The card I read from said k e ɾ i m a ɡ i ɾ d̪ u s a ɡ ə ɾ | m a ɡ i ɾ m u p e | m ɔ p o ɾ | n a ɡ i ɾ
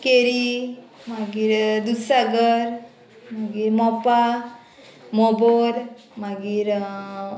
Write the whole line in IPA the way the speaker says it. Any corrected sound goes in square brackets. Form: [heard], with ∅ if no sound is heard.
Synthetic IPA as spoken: k e ɾ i m a ɡ i ɾ d̪ u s a ɡ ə ɾ | m a ɡ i ɾ m [ɔ] p [a] | m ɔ [b] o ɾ | [m] a ɡ i ɾ